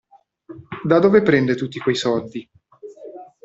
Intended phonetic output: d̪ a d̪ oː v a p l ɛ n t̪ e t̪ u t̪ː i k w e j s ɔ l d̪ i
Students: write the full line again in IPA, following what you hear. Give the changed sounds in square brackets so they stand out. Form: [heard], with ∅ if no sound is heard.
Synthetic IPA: d̪ a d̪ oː v [e] p [ɾ] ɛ n [d̪] e t̪ u t̪ː i k w e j s ɔ l d̪ i